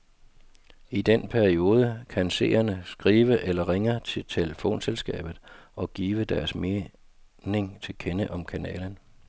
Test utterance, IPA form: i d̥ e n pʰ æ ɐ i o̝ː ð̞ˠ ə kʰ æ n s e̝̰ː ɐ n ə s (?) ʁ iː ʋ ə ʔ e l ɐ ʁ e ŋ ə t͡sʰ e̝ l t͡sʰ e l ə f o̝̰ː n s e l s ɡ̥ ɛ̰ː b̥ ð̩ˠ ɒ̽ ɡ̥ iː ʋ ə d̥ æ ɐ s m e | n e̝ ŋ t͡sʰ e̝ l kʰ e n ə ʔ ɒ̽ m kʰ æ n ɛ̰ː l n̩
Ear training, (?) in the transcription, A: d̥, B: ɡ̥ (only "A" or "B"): B